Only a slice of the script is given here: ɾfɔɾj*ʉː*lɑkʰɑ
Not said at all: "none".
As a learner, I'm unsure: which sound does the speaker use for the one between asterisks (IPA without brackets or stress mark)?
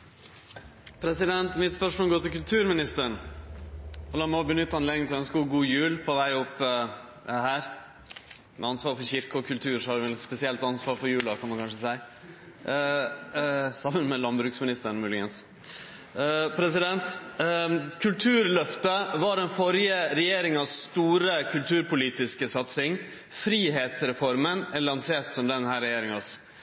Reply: ʉː